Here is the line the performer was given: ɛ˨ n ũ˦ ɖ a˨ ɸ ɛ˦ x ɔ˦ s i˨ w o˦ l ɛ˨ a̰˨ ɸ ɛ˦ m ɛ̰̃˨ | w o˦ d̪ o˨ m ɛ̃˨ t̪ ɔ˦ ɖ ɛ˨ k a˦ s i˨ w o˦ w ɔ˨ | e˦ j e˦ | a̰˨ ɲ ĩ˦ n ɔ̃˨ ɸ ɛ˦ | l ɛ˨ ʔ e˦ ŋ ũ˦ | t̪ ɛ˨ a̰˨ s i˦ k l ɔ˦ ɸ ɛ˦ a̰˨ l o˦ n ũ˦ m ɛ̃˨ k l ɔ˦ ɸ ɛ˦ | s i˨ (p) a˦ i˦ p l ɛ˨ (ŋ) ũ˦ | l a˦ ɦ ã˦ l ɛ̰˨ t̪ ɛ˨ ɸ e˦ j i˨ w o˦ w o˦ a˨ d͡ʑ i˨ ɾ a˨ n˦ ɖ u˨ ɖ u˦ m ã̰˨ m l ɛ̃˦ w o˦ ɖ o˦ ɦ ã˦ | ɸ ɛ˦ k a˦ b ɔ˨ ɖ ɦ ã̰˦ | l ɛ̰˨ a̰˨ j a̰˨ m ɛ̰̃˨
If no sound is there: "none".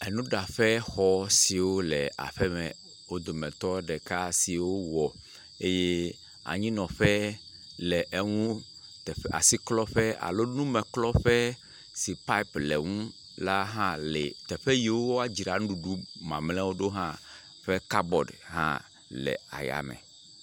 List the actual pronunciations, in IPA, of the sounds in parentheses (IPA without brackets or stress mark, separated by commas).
p, ŋ